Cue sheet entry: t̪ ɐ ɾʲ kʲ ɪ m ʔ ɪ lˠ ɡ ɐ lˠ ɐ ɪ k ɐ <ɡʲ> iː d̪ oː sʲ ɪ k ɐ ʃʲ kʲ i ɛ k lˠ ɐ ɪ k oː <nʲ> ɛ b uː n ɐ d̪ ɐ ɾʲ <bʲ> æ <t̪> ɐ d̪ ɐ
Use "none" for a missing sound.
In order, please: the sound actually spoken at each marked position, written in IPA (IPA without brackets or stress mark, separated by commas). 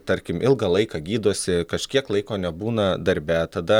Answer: ɡʲ, nʲ, bʲ, t̪